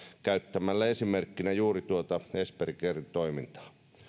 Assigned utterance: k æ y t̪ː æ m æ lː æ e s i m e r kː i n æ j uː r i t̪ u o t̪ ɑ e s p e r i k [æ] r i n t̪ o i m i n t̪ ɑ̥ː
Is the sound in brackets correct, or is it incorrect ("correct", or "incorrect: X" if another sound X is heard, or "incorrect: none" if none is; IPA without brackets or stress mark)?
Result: incorrect: e